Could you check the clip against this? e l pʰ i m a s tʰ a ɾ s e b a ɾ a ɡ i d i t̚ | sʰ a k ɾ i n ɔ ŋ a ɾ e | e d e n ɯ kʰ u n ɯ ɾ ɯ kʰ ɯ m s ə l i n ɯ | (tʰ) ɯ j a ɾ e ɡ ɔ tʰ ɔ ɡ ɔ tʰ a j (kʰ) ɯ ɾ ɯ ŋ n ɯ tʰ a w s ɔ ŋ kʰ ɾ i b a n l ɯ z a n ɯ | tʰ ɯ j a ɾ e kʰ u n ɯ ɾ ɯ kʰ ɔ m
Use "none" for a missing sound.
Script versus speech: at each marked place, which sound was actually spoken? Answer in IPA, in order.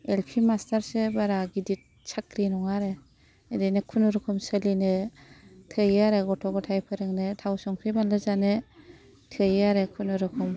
tʰ, pʰ

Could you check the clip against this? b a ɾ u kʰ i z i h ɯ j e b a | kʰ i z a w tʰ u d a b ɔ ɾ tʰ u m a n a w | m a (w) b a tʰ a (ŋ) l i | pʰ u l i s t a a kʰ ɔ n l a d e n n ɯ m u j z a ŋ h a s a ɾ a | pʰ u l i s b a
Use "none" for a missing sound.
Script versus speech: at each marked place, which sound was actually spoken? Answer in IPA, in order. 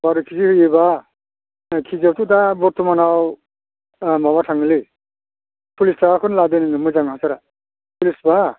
none, ŋ

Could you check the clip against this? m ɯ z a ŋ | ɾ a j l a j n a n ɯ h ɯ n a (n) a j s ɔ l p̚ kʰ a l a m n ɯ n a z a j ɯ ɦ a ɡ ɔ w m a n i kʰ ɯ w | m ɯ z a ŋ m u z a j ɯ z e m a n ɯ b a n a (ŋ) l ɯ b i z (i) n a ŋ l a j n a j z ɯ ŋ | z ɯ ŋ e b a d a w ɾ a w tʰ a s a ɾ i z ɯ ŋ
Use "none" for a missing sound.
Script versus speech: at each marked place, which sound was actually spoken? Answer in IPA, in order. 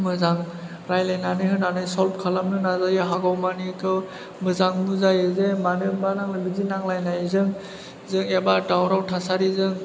n, ŋ, i

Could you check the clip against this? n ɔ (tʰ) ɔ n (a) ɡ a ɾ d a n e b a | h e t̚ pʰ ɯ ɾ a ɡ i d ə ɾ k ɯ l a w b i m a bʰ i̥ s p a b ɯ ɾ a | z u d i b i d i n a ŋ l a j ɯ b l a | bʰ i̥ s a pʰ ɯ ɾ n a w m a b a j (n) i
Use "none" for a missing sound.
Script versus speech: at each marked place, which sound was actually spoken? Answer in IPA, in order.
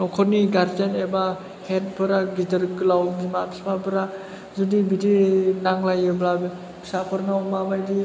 kʰ, i, d

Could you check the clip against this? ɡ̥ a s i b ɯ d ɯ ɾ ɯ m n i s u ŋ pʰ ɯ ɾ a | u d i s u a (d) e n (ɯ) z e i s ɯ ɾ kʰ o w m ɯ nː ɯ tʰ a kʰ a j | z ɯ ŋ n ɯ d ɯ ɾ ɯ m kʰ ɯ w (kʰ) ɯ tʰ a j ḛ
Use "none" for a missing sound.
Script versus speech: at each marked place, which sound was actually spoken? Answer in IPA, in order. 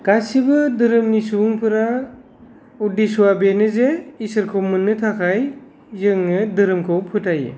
b, ɯ, pʰ

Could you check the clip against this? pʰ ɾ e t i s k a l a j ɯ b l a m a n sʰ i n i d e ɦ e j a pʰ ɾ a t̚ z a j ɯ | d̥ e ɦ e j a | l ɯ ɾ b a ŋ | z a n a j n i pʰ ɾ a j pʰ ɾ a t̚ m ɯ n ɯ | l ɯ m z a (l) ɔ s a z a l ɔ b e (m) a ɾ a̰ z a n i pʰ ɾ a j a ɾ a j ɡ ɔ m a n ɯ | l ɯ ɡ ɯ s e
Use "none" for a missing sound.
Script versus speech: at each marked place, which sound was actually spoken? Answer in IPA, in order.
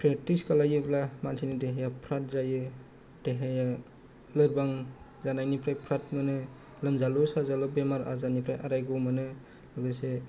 l, m

